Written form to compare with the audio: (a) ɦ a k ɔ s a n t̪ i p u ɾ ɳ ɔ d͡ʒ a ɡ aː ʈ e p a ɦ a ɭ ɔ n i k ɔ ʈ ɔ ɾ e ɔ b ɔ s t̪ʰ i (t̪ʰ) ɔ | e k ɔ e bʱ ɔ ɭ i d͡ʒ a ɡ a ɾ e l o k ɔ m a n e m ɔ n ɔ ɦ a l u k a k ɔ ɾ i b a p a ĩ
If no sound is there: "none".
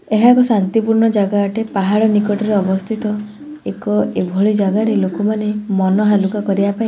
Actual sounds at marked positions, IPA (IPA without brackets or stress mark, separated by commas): e, t̪